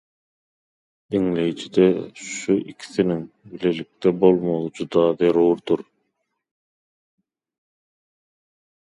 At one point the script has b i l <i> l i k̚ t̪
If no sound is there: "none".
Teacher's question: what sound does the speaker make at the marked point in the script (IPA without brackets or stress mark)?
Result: e